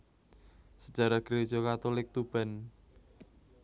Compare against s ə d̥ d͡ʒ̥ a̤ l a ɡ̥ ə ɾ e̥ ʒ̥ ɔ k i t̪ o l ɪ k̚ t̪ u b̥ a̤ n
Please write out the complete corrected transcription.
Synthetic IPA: s ə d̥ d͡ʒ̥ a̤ ɾ a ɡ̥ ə ɾ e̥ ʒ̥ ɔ k a t̪ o l ɪ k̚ t̪ u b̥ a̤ n